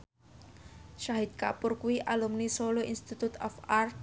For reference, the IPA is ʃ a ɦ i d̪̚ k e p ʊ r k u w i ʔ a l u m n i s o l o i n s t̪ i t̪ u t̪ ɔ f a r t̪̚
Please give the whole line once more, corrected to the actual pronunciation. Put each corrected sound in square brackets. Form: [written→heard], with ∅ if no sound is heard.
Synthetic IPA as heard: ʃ a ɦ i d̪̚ k [e→a] p ʊ r k u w i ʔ a l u m n i s o l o i n s t̪ i t̪ u t̪ ɔ f a r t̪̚